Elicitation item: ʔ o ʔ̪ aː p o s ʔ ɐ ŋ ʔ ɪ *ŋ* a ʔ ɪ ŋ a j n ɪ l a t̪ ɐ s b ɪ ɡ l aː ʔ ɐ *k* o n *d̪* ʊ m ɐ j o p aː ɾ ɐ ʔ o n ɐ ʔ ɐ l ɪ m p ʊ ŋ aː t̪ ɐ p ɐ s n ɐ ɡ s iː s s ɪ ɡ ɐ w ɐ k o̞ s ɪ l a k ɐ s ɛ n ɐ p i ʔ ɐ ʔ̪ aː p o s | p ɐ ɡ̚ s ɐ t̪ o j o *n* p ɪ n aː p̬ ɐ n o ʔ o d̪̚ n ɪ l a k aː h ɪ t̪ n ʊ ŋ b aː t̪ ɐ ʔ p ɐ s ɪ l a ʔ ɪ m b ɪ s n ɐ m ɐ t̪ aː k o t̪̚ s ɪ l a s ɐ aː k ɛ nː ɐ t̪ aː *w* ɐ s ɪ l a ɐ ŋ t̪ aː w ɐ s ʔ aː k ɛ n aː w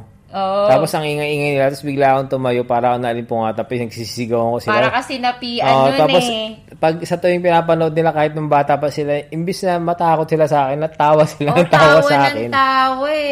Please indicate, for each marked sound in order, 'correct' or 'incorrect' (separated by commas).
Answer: correct, correct, incorrect, incorrect, correct